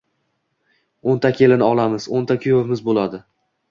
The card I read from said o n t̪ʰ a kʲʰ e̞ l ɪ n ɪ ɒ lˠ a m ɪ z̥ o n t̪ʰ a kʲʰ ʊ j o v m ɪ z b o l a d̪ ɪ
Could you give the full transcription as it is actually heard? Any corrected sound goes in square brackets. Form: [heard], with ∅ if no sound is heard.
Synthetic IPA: o n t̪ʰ a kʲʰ e̞ l ɪ n ɪ ɒ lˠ a m ɪ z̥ o n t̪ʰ a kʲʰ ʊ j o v m ɪ z b o l a d̪ ɪ